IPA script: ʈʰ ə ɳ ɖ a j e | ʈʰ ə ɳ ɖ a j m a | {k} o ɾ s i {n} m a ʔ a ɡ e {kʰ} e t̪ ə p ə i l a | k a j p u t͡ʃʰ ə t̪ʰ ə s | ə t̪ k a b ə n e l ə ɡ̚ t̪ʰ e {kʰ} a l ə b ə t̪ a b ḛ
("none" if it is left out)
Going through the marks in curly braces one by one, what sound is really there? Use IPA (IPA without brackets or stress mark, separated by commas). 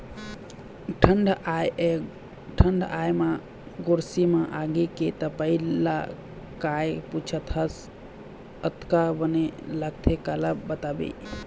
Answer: ɡ, none, k, k